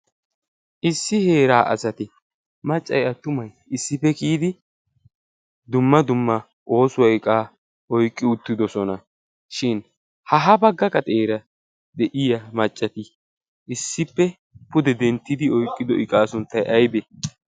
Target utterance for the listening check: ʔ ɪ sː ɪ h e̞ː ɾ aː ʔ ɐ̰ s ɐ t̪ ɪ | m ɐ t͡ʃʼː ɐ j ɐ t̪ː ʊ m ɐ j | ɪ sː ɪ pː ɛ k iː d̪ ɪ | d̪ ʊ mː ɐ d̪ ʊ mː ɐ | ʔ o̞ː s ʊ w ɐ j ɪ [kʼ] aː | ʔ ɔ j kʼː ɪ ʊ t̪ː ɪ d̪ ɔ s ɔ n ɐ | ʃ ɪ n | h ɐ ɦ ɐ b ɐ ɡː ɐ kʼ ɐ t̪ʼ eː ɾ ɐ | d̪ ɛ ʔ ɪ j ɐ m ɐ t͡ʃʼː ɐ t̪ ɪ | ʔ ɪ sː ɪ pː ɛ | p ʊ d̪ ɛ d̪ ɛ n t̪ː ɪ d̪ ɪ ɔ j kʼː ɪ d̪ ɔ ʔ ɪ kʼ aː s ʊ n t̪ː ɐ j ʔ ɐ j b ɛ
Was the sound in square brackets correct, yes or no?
yes